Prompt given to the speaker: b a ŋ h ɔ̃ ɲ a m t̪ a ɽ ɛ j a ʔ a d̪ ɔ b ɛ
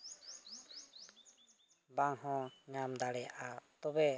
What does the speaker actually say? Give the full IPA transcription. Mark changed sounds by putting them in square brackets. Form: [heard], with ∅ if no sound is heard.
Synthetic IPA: b a ŋ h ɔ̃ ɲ a m [d̪] a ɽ ɛ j a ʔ a [t̪] ɔ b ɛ

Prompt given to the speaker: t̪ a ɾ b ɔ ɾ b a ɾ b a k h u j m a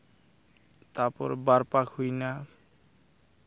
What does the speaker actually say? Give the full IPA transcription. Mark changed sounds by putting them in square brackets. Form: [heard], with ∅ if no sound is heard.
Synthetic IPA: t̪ a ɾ [p] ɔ ɾ b a ɾ [p] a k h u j [n] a

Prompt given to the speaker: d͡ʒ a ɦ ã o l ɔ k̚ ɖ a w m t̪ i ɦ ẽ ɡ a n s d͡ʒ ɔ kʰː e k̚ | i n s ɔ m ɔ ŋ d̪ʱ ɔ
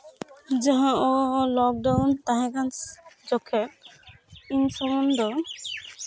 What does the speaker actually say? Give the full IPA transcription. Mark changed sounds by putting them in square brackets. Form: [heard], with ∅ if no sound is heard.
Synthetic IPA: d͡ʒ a ɦ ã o l ɔ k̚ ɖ a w [n] t̪ [a] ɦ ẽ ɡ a n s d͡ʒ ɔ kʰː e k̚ | i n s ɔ m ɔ [n] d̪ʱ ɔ

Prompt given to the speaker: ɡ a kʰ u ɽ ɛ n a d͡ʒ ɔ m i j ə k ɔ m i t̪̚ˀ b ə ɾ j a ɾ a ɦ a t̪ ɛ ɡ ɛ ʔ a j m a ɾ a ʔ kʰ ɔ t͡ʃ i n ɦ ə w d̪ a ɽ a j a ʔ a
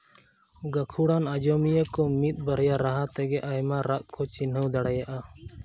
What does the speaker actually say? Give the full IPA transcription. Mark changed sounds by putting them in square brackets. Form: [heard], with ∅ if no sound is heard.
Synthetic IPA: ɡ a kʰ u ɽ [a] n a d͡ʒ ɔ m i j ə k ɔ m i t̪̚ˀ b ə ɾ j a ɾ a ɦ a t̪ ɛ ɡ ɛ ʔ a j m a ɾ a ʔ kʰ ɔ t͡ʃ i n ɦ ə w d̪ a ɽ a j a ʔ a

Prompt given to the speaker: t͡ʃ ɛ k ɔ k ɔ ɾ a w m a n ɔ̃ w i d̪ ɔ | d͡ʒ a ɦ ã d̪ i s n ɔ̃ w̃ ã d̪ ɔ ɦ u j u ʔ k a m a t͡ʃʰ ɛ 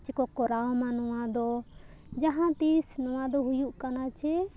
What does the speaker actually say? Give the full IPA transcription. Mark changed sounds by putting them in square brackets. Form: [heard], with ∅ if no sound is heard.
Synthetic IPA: t͡ʃ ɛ k ɔ k ɔ ɾ a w m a n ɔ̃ w [a] d̪ ɔ | d͡ʒ a ɦ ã [t̪] i s n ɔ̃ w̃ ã d̪ ɔ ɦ u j u ʔ k a [n] a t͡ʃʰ ɛ

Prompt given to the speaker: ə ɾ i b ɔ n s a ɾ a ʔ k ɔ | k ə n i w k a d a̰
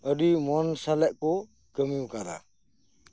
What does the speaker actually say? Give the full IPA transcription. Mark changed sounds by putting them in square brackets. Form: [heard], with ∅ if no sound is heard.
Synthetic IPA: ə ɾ i [m] ɔ n s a [l] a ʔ k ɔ | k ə [m] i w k a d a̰

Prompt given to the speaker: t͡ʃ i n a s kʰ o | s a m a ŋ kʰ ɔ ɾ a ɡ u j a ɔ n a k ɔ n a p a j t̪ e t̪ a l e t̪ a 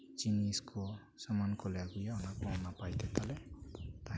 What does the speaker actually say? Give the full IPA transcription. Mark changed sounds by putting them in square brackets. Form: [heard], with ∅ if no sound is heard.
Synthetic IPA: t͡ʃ i n [i] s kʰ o | s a m a [n] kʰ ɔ [l] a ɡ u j a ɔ n a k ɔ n a p a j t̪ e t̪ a l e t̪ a

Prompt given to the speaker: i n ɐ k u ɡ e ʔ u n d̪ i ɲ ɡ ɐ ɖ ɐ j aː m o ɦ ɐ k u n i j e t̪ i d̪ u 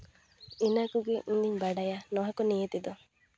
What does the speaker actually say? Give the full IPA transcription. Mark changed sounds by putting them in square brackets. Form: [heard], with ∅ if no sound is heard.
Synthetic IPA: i n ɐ k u ɡ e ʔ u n d̪ i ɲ [b] ɐ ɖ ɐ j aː [n] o ɦ ɐ k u n i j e t̪ i d̪ u

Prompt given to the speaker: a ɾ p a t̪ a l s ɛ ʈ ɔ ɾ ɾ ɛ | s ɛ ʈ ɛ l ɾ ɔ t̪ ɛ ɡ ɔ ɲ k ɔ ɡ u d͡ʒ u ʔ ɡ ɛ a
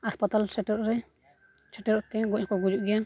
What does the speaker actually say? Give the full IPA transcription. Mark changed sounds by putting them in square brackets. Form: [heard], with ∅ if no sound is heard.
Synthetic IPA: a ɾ p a t̪ a l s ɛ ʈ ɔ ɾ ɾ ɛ | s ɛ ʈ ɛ [∅] ɾ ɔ t̪ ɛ ɡ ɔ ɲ k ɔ ɡ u d͡ʒ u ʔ ɡ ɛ a

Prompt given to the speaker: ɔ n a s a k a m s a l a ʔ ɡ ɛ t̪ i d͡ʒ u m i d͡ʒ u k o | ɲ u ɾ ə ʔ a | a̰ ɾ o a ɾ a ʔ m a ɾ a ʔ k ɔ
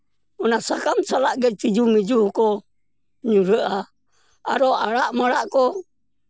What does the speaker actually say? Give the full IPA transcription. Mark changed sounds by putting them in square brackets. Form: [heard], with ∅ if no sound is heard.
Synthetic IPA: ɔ n a s a k a m s a l a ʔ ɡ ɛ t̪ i d͡ʒ u m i d͡ʒ u k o | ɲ u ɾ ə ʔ a | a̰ ɾ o a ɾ a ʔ m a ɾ a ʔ k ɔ

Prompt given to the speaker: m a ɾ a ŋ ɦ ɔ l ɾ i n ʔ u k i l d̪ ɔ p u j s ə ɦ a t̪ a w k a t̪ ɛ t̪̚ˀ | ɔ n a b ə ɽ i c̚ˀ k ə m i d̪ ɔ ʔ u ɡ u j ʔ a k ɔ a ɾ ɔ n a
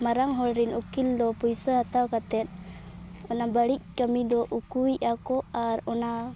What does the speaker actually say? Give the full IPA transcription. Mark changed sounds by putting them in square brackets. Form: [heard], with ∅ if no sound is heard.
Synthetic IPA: m a ɾ a ŋ ɦ ɔ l ɾ i n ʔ u k i l d̪ ɔ p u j s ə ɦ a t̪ a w k a t̪ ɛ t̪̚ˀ | ɔ n a b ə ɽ i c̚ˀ k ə m i d̪ ɔ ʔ u [k] u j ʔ a k ɔ a ɾ ɔ n a

